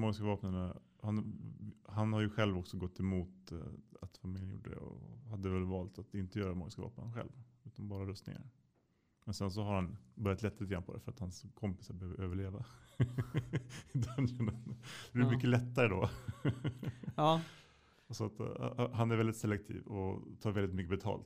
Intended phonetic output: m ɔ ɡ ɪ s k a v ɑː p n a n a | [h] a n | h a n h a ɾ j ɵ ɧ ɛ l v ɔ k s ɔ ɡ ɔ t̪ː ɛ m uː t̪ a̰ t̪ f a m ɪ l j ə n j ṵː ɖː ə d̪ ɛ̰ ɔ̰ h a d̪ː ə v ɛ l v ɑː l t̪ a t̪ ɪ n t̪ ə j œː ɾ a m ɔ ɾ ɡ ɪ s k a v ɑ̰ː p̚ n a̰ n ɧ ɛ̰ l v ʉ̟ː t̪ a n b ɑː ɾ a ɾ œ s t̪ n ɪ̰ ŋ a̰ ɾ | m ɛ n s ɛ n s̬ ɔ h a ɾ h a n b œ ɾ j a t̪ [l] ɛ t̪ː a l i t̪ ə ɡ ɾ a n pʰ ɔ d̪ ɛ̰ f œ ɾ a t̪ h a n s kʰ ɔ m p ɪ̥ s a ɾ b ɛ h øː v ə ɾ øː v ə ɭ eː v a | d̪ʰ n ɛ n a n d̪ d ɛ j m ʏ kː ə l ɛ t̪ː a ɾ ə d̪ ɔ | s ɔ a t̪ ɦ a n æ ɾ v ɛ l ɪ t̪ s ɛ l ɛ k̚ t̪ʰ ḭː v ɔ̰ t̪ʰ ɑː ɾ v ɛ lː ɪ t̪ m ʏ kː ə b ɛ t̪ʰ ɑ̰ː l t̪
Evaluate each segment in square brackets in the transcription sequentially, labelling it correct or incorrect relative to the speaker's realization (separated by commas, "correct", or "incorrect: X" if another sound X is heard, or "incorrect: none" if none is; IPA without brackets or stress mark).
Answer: correct, correct